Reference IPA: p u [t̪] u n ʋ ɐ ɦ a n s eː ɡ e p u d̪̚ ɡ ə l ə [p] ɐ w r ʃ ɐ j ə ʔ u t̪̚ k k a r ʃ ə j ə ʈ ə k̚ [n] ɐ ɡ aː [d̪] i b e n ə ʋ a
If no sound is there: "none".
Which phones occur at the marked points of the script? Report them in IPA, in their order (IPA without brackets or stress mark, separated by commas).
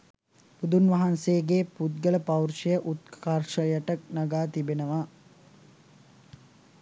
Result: d̪, p, n, t̪